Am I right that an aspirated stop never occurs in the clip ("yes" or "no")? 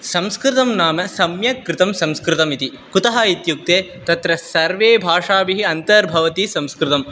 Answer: yes